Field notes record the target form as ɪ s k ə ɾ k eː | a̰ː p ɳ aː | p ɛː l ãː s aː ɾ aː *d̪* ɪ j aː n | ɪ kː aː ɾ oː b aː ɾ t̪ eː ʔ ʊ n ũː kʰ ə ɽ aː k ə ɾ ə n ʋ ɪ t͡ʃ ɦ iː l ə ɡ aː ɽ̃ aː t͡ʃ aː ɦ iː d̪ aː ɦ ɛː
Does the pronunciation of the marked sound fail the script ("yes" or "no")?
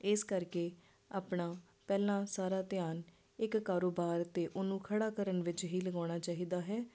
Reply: yes